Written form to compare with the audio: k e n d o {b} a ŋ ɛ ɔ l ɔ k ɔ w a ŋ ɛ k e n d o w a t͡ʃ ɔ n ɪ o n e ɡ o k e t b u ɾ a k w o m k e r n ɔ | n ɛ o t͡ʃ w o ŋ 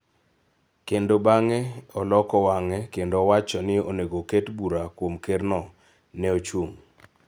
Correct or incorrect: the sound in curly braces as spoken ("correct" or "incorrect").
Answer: correct